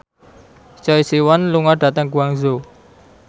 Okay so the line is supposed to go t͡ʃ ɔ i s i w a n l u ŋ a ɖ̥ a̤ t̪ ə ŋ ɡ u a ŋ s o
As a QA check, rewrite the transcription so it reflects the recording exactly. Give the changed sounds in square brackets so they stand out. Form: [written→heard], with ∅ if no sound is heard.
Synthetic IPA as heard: t͡ʃ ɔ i s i w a n l u ŋ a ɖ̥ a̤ t̪ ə ŋ ɡ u a ŋ [s→z] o